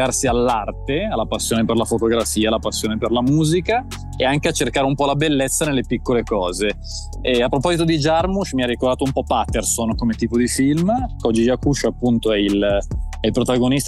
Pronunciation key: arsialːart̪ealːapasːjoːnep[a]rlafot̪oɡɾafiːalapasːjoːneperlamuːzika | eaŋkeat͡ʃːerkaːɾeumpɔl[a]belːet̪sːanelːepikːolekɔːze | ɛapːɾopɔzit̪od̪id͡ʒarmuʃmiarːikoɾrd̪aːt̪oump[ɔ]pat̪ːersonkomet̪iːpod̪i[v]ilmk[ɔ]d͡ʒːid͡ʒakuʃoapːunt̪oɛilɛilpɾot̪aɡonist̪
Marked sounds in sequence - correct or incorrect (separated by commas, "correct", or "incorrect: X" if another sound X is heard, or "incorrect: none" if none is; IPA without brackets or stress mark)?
incorrect: e, correct, correct, incorrect: f, correct